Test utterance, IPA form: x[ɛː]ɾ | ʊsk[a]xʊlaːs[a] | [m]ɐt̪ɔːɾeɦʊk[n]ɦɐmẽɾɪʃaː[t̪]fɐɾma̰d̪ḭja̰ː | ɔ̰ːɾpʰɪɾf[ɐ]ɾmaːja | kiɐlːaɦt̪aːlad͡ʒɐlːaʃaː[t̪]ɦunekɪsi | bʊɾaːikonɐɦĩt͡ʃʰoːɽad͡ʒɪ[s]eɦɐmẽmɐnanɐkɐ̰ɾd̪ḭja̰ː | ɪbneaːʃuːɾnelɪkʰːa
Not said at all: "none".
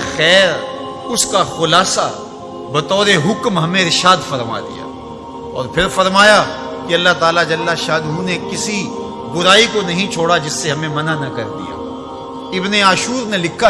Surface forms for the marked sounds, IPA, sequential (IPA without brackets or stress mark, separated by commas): ɛː, a, a, b, m, d̪, ɐ, d̪, sː